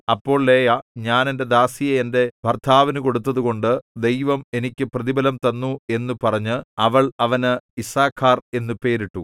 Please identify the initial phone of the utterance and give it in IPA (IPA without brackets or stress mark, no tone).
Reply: ɐ